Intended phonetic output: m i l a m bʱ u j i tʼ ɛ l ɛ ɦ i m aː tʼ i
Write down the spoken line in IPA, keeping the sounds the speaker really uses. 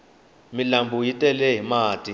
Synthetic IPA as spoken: m i l a m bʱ u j i tʼ ɛ l ɛ ɦ i m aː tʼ i

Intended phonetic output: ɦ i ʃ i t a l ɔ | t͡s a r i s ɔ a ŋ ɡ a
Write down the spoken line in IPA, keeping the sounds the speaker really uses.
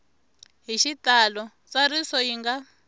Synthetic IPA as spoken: ɦ i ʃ i t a l ɔ | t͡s a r i s ɔ i ŋ ɡ a

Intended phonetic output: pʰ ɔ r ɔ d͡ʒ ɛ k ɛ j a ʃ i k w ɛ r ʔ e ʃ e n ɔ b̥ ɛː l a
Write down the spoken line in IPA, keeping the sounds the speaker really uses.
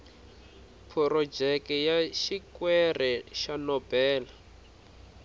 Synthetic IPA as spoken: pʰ ɔ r ɔ d͡ʒ ɛ k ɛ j a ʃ i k w ɛ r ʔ ɛ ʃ a n ɔ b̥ ɛː l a

